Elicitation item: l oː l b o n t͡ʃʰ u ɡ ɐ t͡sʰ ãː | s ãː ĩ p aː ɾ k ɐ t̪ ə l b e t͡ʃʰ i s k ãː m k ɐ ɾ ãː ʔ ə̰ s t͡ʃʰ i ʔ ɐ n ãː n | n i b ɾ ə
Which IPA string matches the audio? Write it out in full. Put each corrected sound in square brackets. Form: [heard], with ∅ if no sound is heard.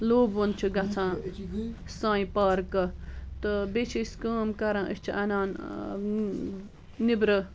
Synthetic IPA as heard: l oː [∅] b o n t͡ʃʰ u ɡ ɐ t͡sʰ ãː | s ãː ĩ p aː ɾ k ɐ t̪ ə [∅] b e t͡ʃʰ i s k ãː m k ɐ ɾ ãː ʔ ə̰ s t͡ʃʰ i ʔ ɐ n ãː n | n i b ɾ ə